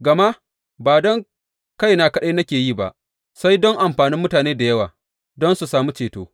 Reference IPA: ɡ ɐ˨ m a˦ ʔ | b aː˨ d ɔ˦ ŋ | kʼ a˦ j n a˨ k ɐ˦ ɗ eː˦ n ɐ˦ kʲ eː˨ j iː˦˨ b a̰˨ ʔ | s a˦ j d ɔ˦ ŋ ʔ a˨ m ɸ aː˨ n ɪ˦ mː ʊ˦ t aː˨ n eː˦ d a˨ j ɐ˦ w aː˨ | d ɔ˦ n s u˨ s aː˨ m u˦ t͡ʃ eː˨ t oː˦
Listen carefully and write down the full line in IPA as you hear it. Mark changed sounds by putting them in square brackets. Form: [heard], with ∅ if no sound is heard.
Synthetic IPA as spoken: ɡ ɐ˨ m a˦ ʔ | b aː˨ d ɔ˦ ŋ | [k] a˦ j n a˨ k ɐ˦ ɗ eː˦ n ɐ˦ kʲ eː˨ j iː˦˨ b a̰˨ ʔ | s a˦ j d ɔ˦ ŋ ʔ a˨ m ɸ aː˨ n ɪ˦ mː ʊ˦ t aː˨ n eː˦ d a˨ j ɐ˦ w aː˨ | d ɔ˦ n s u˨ s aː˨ m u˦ t͡ʃ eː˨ t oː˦